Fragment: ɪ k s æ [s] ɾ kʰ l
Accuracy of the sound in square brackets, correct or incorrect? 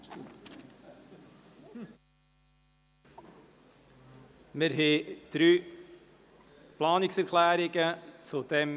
incorrect